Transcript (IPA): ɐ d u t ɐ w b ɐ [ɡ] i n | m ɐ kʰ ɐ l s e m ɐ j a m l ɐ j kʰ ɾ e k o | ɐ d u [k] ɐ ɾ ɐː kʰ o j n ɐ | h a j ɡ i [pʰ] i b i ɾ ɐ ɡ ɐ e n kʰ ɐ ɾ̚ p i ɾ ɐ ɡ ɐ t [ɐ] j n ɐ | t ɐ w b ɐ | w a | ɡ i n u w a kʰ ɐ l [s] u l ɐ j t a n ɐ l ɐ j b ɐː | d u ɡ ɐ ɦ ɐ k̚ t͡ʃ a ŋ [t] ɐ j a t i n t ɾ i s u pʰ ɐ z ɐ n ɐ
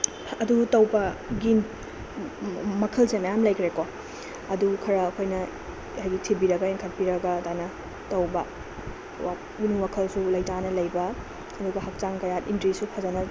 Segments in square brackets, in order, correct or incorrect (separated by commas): correct, incorrect, incorrect, incorrect, correct, incorrect